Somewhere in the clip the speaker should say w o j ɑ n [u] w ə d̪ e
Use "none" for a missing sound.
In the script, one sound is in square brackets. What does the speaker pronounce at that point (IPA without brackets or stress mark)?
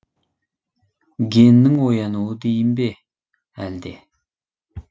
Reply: u